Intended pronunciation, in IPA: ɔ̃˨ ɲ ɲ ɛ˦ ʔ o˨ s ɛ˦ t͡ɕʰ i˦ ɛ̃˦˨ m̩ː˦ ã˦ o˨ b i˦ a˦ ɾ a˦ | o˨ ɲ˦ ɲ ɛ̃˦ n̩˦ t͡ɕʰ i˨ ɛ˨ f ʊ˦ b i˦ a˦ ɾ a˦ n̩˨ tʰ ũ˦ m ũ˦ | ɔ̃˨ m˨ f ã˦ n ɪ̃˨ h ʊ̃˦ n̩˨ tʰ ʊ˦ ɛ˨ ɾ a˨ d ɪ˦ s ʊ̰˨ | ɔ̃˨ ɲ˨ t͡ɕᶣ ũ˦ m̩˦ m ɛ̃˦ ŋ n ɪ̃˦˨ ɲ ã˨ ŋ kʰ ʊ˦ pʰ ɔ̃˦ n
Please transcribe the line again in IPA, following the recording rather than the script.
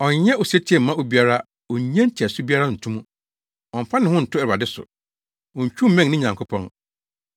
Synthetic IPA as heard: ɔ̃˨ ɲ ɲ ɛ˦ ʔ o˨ s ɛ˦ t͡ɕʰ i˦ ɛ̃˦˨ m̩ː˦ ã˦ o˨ b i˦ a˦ ɾ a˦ | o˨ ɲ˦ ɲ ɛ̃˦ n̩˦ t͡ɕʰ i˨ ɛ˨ s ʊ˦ b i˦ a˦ ɾ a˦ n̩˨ tʰ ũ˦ m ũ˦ | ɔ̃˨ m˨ f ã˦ n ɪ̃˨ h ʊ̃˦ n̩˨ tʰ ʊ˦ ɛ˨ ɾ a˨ d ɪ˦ s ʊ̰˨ | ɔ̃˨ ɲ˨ t͡ɕᶣ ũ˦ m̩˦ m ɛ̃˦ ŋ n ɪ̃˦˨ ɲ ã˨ ŋ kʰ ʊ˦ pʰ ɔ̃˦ n

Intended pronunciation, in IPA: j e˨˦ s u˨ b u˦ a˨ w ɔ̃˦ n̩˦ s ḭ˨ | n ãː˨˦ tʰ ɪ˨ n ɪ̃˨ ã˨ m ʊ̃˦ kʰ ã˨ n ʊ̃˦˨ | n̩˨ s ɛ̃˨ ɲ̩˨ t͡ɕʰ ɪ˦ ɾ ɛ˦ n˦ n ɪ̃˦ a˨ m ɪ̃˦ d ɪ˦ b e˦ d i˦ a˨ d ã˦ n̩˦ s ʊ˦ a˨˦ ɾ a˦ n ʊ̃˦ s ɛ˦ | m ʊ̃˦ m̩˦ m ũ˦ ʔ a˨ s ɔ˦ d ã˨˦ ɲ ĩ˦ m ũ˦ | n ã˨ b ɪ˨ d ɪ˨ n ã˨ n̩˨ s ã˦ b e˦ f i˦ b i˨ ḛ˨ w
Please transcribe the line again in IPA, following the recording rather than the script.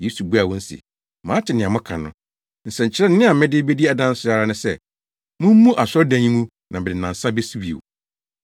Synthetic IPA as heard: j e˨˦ s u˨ b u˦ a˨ w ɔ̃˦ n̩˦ s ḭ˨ | m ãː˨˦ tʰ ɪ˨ n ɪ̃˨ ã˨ m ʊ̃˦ kʰ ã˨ n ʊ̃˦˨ | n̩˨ s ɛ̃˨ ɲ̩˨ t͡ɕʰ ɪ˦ ɾ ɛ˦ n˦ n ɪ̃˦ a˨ m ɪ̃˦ d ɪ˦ b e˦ d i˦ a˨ d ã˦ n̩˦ s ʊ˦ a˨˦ ɾ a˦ n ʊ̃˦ s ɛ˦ | m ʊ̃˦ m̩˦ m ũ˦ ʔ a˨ s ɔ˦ d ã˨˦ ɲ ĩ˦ m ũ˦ | n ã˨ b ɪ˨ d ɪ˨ n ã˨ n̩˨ s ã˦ b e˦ s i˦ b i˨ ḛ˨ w

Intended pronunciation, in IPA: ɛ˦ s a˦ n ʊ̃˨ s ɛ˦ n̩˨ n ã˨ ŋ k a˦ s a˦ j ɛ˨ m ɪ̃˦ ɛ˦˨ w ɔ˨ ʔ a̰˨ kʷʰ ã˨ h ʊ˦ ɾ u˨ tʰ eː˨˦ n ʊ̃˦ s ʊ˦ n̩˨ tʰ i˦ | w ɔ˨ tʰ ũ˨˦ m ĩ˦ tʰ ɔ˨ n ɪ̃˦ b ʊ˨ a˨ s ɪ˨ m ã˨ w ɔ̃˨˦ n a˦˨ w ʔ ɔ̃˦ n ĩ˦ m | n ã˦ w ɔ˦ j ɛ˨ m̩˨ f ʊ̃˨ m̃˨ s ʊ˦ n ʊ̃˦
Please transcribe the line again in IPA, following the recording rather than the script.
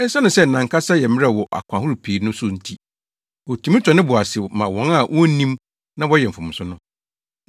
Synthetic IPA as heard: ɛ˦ s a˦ n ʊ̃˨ s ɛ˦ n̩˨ n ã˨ ŋ k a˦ s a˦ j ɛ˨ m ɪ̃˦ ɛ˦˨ w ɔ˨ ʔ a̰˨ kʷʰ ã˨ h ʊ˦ ɾ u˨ pʰ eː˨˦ n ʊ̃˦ s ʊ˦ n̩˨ tʰ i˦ | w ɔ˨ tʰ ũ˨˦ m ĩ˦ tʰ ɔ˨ n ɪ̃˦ b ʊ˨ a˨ s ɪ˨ m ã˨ w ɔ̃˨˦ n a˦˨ w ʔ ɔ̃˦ n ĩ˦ m | n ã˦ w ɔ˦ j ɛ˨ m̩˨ f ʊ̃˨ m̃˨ s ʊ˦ n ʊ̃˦

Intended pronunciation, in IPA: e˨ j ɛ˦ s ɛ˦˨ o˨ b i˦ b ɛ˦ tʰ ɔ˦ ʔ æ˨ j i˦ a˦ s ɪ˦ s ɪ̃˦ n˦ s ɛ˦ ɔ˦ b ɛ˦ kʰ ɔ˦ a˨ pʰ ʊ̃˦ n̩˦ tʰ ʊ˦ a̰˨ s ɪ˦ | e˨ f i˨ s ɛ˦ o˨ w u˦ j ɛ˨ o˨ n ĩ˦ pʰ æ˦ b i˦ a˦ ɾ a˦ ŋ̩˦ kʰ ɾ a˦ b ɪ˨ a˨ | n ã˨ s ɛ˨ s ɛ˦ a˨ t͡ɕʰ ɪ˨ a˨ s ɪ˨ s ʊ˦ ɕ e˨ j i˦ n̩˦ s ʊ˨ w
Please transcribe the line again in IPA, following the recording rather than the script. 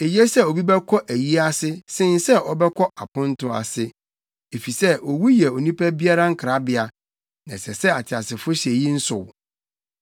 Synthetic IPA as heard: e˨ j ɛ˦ s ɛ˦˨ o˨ b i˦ b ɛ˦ kʰ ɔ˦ ʔ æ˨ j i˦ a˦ s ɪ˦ s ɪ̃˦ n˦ s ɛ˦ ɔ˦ b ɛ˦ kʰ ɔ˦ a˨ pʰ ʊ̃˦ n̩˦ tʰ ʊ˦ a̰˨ s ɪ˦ | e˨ f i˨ s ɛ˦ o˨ w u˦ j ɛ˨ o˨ n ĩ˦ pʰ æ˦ b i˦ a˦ ɾ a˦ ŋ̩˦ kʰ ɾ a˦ b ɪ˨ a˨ | n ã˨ s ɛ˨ s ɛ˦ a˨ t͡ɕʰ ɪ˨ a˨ s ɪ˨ f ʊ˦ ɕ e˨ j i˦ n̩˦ s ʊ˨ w

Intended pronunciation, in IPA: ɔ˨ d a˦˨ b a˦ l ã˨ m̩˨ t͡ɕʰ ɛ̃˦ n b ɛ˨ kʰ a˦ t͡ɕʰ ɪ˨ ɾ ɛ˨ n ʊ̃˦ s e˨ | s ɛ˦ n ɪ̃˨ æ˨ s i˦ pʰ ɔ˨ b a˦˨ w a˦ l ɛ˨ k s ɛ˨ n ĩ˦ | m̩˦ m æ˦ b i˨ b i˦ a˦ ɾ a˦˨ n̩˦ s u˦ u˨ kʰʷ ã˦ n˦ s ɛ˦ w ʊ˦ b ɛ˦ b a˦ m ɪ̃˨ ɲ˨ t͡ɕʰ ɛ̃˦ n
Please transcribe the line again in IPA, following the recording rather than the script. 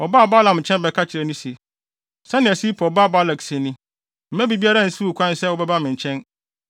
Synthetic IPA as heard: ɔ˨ b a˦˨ b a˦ l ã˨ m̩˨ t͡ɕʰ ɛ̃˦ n b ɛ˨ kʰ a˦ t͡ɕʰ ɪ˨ ɾ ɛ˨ n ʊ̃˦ s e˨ | s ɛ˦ n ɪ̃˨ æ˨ s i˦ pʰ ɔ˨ b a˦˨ b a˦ l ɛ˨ k s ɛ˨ n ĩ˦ | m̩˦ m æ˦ b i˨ b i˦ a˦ ɾ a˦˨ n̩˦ s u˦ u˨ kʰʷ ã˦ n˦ s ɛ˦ w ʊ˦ b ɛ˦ b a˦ m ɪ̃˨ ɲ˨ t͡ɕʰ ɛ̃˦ n

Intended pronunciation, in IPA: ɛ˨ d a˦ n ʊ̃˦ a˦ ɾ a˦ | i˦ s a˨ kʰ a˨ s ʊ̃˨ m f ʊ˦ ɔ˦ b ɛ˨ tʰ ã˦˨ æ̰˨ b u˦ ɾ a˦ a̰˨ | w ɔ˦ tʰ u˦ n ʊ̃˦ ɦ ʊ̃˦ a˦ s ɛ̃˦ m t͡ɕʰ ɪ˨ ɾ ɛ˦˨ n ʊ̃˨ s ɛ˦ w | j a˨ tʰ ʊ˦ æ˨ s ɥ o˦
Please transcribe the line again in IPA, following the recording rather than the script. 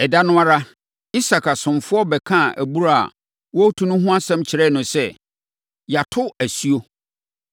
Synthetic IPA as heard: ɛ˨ d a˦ n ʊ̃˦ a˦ ɾ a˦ | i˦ s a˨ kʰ a˨ s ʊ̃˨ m f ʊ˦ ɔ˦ b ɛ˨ kʰ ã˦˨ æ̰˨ b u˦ ɾ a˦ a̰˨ | w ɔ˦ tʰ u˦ n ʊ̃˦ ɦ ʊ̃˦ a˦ s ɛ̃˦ m t͡ɕʰ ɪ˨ ɾ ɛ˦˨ n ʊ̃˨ s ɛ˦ | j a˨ tʰ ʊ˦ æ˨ s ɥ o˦

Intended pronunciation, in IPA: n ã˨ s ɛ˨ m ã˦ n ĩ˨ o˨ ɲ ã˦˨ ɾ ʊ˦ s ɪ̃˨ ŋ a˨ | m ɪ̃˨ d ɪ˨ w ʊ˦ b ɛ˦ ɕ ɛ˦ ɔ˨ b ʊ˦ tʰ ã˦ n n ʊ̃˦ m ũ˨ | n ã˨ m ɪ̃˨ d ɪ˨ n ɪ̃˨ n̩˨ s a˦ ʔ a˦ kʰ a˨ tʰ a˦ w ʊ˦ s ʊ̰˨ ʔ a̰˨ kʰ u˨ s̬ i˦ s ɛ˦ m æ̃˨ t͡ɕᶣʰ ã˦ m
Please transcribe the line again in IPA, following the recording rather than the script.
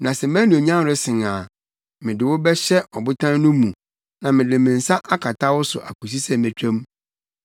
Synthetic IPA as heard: n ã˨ s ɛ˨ m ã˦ n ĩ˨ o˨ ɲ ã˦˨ ɾ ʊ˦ s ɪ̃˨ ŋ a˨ | m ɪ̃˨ d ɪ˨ w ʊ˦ b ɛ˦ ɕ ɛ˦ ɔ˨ b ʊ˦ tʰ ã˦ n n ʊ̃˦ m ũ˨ | n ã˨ m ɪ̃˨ d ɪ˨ m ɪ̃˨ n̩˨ s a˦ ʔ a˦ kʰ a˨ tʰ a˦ w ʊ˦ s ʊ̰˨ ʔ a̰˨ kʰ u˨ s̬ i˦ s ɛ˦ m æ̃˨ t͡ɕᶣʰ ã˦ m

